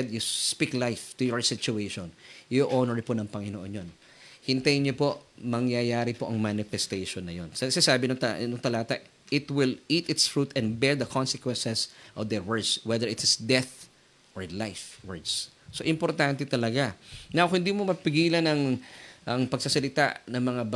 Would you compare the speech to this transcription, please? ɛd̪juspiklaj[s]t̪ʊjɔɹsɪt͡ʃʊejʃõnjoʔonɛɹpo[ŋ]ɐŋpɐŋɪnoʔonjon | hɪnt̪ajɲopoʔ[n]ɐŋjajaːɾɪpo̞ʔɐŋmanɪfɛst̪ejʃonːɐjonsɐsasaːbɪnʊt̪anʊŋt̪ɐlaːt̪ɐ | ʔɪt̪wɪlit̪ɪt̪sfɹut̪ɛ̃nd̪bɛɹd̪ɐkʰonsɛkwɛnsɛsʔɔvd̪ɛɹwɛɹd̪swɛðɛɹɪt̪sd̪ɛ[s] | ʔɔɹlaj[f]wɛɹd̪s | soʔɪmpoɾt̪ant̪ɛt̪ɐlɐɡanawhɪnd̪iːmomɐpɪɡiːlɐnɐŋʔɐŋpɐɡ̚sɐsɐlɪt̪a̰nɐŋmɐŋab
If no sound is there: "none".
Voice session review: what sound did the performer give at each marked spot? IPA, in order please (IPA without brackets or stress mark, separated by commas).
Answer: f, n, m, θ, f